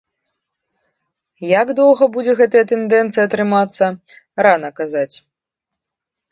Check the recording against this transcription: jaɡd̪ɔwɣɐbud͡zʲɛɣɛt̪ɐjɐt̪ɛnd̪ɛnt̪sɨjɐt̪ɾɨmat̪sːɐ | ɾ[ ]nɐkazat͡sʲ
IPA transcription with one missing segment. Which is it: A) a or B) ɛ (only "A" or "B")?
A